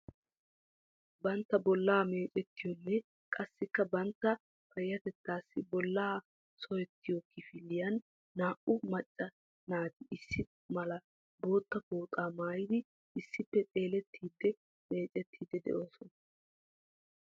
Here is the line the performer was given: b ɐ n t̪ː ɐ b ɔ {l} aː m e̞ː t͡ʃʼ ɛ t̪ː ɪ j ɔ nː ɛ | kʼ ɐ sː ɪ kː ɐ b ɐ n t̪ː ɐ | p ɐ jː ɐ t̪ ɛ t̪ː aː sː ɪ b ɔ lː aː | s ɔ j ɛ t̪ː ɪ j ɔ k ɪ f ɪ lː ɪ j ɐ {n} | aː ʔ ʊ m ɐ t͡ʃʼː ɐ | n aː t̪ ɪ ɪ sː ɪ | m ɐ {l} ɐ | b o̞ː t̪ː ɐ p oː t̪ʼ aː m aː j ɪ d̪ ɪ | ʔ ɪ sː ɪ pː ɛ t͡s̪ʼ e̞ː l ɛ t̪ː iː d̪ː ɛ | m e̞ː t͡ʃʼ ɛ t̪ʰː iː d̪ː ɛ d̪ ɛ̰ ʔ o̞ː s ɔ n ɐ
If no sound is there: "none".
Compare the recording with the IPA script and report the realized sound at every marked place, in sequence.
lː, nː, l

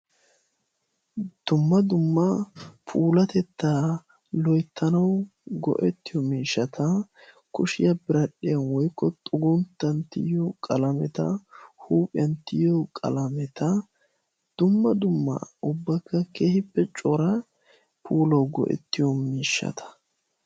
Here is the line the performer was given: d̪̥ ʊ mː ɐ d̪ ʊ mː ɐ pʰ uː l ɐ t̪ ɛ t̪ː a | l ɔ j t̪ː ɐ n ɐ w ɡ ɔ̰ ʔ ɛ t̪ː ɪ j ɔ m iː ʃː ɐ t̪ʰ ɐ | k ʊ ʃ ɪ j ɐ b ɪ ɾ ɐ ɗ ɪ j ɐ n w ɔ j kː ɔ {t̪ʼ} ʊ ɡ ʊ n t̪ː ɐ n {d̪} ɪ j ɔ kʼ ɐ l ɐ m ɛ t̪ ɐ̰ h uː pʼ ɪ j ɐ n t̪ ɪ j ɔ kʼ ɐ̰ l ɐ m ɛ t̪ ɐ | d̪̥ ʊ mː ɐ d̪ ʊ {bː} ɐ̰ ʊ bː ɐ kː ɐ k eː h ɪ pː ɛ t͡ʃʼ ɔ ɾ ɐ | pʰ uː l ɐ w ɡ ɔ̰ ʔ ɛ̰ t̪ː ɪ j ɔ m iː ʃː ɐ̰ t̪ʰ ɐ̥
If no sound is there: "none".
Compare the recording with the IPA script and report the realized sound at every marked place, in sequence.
t̪ʼ, t̪, mː

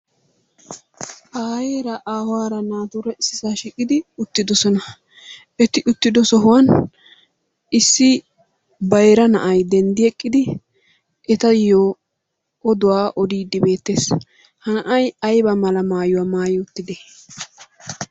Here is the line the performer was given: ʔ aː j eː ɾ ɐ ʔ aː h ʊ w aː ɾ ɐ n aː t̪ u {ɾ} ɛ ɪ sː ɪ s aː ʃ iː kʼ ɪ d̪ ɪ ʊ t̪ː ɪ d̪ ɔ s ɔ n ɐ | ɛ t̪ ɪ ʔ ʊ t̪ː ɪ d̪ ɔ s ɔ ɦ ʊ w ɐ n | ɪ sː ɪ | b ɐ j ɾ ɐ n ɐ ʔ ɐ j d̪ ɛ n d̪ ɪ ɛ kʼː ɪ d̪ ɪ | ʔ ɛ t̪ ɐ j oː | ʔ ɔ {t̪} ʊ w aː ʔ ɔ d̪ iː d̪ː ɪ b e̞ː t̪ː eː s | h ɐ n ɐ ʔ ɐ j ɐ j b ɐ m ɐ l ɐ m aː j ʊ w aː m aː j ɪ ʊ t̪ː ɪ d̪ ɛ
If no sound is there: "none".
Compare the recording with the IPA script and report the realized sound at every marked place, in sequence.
ɾ, d̪

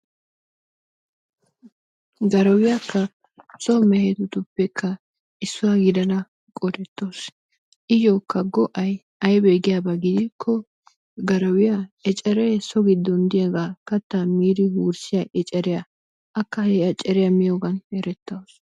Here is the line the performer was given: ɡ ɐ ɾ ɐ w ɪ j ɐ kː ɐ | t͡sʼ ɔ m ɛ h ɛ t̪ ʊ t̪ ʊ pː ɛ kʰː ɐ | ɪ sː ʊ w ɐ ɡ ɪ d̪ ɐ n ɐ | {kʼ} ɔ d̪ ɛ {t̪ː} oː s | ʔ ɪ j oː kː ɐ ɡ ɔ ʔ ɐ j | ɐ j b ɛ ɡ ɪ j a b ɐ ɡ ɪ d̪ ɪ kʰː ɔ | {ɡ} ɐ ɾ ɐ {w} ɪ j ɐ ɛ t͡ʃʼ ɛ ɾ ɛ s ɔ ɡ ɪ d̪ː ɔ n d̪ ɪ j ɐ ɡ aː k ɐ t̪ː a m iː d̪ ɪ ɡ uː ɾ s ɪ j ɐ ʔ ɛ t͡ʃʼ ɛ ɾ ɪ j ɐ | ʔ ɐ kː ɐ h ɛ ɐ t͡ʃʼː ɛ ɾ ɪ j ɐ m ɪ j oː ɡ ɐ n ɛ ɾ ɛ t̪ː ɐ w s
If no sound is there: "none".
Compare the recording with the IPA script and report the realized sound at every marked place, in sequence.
kʼ, t̪ː, ɡ, w

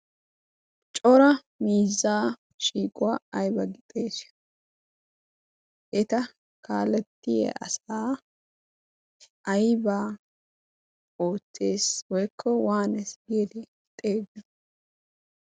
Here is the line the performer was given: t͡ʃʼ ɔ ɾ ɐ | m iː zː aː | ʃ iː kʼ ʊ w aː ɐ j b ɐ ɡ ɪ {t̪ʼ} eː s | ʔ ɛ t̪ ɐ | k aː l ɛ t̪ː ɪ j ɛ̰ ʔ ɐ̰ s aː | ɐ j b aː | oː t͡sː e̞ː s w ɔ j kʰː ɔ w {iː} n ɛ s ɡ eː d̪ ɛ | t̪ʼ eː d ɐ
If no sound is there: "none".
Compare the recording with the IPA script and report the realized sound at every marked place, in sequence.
t̪ʼ, aː

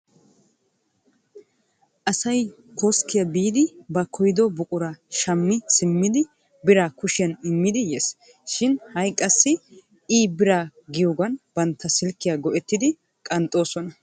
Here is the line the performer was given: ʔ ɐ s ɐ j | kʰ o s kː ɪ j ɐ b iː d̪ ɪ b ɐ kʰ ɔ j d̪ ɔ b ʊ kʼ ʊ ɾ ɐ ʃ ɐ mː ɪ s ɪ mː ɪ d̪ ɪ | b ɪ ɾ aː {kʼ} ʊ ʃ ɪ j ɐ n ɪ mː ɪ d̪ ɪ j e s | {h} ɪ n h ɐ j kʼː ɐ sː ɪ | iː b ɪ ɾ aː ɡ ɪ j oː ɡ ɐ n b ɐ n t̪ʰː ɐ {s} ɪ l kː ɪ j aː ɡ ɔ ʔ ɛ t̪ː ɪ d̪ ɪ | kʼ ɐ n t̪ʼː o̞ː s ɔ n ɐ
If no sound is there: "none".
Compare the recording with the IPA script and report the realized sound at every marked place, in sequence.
k, ʃ, s

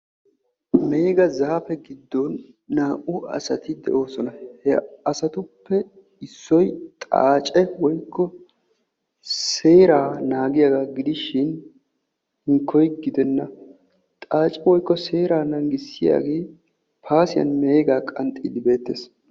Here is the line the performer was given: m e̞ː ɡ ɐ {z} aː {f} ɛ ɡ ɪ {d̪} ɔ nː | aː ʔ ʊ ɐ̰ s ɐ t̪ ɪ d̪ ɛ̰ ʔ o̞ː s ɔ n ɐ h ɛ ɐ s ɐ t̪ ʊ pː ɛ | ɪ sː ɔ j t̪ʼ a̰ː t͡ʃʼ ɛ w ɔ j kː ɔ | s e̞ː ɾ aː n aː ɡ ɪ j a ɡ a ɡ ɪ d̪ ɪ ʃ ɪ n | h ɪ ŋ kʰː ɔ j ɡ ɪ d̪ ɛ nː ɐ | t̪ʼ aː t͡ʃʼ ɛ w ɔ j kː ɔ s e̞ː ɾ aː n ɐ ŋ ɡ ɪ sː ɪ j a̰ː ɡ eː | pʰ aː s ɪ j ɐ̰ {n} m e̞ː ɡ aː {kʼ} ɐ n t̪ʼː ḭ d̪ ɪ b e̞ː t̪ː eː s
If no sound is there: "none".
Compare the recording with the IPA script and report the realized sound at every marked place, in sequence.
z, f, d̪ː, n, kʼ

